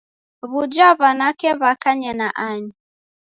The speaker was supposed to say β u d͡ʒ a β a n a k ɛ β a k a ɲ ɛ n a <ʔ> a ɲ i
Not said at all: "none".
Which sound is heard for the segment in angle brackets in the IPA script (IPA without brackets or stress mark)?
ʔ